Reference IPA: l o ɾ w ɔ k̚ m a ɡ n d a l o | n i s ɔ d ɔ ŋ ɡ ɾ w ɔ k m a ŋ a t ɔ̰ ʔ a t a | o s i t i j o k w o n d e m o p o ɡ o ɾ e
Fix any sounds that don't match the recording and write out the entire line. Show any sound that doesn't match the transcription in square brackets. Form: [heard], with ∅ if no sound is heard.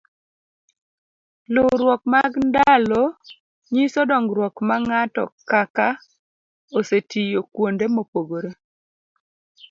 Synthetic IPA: l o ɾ w ɔ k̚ m a ɡ n d a l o | [ɲ] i s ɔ d ɔ ŋ ɡ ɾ w ɔ k m a ŋ a t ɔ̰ [k] a [k] a | o s [e] t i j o k w o n d e m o p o ɡ o ɾ e